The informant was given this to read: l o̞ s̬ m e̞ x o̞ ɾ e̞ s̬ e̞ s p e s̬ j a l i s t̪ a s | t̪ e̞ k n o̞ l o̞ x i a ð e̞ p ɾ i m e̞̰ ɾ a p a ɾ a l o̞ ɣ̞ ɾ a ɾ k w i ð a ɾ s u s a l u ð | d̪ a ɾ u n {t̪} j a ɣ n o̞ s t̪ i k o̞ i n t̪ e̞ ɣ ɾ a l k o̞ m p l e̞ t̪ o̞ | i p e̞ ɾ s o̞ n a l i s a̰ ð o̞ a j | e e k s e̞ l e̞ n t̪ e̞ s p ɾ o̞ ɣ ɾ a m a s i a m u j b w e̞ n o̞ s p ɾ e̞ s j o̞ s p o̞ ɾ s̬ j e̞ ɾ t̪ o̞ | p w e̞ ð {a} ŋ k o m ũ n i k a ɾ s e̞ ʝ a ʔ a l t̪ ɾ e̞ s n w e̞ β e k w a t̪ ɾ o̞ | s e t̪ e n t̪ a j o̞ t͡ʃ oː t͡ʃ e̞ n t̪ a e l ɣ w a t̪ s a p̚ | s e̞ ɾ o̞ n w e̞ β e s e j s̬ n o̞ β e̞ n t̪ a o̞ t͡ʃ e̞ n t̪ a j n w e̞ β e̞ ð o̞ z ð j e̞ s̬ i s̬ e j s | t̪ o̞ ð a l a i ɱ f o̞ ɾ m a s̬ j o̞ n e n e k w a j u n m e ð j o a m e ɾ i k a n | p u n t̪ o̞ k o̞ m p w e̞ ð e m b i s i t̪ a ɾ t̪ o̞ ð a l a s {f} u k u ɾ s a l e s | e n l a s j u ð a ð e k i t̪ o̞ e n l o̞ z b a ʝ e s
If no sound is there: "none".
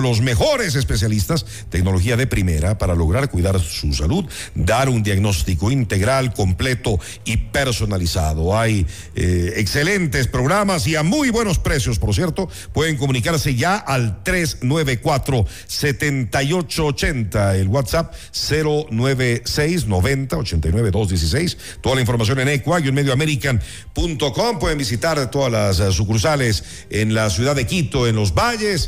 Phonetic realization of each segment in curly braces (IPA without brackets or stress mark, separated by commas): d̪, e, s